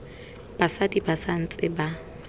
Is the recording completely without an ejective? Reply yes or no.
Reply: no